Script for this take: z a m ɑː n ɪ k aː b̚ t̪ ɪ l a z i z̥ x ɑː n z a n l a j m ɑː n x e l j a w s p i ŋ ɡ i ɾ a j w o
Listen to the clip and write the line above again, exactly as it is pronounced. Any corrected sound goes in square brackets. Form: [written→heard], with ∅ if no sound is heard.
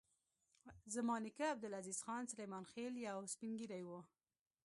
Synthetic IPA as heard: z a m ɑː n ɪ k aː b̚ [t̪→d̪] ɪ l a z i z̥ x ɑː n [z→s] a [n→∅] l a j m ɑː n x e l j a w s p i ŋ ɡ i ɾ a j w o